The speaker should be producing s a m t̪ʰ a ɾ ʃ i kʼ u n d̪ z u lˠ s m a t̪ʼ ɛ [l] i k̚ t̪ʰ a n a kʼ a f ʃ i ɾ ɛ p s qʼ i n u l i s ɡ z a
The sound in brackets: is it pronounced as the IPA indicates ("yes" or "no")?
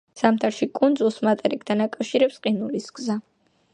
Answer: no